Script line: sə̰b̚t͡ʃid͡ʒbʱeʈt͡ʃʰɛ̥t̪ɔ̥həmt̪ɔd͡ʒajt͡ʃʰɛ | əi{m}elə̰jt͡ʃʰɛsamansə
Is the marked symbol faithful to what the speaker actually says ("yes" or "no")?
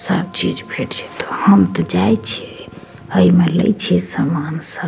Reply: yes